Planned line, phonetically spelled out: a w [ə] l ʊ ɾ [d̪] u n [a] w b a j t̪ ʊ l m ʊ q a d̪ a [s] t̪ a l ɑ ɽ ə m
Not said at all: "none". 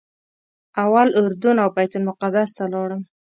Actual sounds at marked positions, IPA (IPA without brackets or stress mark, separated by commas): a, d̪, a, s